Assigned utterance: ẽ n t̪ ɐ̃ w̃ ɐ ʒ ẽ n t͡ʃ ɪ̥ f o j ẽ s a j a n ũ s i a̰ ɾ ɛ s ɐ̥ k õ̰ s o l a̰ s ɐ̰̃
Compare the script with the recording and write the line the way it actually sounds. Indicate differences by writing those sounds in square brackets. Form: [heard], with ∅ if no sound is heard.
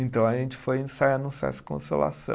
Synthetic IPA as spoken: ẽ n t̪ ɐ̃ w̃ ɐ ʒ ẽ n t͡ʃ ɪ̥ f o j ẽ s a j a n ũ s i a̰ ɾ ɛ s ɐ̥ k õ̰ s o l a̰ s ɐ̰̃